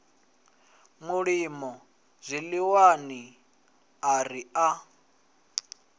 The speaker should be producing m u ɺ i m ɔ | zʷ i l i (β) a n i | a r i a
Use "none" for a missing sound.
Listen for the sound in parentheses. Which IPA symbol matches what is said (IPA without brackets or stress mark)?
w